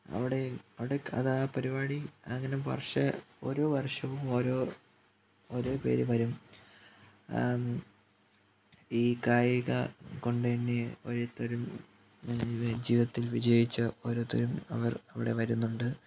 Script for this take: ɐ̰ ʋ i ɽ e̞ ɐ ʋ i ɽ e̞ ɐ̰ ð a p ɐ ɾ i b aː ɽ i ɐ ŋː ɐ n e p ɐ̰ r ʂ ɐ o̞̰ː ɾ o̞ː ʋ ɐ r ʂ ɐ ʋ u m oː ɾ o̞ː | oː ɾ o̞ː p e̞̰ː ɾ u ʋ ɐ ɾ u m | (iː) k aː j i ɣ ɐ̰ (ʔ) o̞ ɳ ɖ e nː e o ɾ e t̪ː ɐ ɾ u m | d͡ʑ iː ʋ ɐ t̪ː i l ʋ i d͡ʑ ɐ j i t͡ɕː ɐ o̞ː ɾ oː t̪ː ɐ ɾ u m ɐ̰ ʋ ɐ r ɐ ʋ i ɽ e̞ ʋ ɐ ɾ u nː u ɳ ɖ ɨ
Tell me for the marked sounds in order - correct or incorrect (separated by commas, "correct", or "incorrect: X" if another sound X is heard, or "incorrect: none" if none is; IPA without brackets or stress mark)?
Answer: correct, incorrect: k